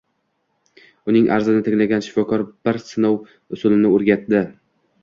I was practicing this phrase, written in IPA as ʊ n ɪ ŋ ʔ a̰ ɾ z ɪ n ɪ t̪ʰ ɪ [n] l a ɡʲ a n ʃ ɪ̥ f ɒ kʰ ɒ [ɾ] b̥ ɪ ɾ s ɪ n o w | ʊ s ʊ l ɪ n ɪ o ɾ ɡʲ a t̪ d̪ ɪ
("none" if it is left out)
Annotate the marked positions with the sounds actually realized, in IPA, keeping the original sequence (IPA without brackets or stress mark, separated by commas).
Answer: ŋ, ɾ